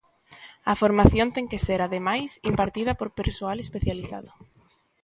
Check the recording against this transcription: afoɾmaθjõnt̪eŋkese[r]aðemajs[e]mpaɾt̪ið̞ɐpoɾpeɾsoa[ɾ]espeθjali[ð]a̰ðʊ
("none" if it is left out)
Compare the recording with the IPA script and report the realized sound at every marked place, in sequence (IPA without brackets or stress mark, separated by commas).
ɾ, i, l, θ